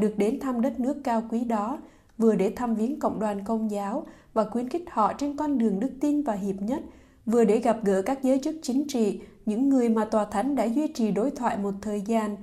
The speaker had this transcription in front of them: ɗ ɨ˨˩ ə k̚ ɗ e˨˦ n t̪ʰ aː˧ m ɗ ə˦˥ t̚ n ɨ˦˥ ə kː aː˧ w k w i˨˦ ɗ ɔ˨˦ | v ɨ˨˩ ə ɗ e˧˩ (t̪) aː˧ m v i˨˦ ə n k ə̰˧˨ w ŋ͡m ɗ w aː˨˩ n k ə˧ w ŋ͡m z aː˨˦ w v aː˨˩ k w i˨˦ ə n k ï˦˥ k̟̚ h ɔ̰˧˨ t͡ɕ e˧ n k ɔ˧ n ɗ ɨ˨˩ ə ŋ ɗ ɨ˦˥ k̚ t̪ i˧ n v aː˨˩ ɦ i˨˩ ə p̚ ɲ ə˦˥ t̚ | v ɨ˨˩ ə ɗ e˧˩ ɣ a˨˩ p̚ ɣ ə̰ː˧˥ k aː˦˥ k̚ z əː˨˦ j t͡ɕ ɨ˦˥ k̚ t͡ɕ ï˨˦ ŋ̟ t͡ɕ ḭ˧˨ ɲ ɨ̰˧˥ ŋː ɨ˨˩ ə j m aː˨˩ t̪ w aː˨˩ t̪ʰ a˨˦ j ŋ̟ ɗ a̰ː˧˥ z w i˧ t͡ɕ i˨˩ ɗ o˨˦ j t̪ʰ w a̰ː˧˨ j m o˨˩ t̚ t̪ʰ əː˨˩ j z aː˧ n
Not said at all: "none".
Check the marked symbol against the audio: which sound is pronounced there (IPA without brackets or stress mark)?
t̪ʰ